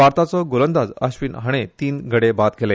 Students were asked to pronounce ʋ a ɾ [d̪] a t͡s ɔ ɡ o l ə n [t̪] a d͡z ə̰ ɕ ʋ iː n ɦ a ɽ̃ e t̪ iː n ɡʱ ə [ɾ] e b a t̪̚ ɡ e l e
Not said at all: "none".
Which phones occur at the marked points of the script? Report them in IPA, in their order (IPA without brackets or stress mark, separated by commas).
t̪, d̪, ɽ